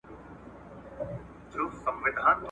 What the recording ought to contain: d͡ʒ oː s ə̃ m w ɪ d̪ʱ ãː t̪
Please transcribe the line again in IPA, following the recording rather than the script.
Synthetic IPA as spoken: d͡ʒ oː s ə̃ m ʋ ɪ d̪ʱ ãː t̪

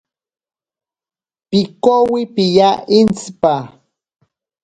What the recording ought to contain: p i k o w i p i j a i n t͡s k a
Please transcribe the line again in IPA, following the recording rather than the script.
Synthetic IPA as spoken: p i k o w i p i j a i n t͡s p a

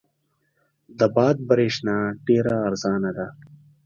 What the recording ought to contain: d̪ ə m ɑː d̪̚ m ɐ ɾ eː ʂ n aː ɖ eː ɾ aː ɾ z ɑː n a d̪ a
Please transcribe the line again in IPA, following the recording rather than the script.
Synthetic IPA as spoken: d̪ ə b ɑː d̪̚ b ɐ ɾ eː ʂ n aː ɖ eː ɾ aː ɾ z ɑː n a d̪ a

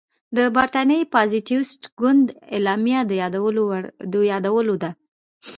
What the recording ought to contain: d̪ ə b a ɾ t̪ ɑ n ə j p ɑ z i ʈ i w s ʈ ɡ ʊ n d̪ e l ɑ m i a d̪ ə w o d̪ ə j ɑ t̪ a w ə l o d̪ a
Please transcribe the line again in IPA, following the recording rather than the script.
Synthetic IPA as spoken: d̪ ə b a ɾ t̪ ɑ n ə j p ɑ z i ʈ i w s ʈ ɡ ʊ n d̪ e l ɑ m j a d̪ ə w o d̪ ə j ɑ d̪ a w ə l o d̪ a

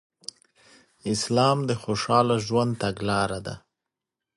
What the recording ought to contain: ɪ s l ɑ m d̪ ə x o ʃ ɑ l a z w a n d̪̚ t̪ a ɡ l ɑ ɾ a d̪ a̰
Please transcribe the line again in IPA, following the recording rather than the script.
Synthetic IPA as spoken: ɪ s l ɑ m d̪ ə x o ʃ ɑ l a ʒ w a n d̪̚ t̪ a ɡ l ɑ ɾ a d̪ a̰

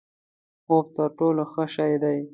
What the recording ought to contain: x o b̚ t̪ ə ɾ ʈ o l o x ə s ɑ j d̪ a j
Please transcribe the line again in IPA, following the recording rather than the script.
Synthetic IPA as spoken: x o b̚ t̪ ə ɾ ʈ o l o x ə ʃ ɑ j d̪ a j

